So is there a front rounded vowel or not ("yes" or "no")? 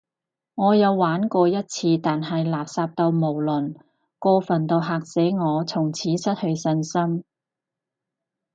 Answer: no